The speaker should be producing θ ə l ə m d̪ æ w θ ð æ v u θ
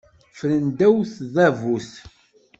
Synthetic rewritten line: f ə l ə n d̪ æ w θ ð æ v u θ